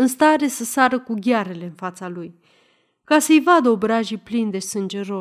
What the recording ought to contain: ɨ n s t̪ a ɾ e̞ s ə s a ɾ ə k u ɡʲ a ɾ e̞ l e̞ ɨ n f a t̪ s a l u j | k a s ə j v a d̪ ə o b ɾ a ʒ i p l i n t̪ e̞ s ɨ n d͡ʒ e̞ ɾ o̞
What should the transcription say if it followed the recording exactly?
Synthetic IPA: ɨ n s t̪ a ɾ e̞ s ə s a ɾ ə k u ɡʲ a ɾ e̞ l e̞ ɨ n f a t̪ s a l u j | k a s ə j v a d̪ ə o b ɾ a ʒ i p l i n d̪ e̞ s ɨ n d͡ʒ e̞ ɾ o̞